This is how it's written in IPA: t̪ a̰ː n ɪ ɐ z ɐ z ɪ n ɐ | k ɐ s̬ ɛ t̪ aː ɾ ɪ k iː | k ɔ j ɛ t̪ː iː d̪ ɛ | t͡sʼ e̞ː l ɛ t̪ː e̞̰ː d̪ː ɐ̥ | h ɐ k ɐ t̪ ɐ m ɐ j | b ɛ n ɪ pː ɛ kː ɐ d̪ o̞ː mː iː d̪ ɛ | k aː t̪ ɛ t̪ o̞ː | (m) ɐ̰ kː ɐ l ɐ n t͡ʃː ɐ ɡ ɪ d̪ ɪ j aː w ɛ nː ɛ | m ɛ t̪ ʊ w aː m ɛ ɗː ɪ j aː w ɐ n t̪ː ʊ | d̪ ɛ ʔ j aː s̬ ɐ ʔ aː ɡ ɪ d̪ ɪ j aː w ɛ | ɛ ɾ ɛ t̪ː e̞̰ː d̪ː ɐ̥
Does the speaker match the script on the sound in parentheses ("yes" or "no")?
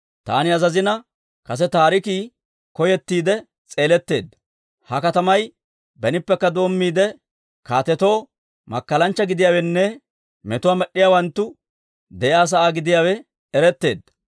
yes